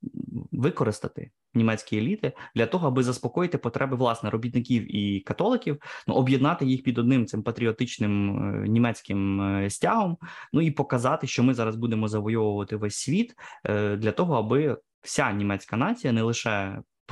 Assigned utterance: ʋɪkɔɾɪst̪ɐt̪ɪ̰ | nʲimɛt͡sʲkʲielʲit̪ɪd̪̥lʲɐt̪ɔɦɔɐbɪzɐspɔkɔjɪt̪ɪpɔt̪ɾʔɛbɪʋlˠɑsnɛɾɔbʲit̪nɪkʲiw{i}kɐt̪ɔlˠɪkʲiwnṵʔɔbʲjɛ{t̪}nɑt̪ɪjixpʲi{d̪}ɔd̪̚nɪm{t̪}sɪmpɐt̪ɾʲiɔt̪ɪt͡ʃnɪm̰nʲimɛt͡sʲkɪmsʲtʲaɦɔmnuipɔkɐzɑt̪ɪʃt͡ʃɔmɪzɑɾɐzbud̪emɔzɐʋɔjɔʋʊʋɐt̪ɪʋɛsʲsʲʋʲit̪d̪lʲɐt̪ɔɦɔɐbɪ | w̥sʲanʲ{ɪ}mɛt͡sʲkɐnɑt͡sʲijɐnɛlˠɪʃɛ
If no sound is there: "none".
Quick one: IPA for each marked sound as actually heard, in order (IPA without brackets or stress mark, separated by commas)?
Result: i, d̪, d̪, t̪, i